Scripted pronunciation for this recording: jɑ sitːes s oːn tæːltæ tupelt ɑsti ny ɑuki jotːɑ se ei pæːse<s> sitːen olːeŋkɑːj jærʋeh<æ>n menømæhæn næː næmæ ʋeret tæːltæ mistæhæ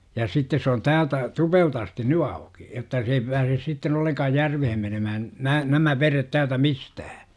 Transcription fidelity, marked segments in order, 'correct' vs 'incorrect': correct, incorrect: e

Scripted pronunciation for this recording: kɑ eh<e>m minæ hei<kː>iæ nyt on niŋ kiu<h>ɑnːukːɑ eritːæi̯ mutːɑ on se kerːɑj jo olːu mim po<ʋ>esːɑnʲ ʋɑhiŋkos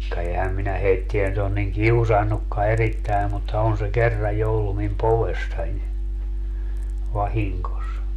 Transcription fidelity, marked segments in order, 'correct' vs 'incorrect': incorrect: æ, incorrect: tː, incorrect: s, correct

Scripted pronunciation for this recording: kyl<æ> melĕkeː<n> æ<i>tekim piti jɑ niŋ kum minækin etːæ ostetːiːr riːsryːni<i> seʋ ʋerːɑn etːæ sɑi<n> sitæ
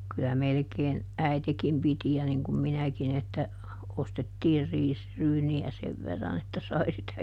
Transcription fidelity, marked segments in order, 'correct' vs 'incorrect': correct, correct, correct, incorrect: æ, incorrect: none

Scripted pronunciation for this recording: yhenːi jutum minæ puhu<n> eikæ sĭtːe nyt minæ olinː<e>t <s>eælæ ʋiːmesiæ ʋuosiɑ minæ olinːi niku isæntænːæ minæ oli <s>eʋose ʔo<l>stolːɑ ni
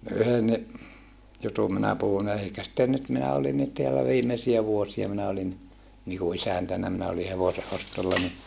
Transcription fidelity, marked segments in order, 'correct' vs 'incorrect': correct, incorrect: i, incorrect: t, incorrect: h, incorrect: none

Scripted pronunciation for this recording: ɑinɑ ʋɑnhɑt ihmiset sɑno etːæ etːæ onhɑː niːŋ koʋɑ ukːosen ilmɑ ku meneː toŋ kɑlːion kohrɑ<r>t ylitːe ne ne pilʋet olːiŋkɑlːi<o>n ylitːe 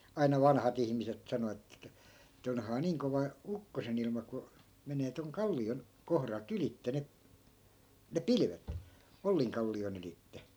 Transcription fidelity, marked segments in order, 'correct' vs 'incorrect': incorrect: l, correct

